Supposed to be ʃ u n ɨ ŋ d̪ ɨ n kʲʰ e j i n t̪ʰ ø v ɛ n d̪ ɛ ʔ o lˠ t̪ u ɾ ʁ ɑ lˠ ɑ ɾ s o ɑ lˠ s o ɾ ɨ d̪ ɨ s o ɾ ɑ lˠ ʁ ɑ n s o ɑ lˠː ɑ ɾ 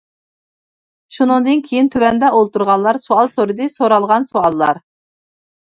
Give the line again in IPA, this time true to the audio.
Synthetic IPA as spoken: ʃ u n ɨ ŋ d̪ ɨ n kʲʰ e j i n t̪ʰ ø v ɛ n d̪ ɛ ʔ o lˠ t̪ u ɾ ʁ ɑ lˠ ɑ ɾ s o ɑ lˠ s o ɾ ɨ d̪ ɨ s o ɾ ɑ lˠ ʁ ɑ n s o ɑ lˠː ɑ ɾ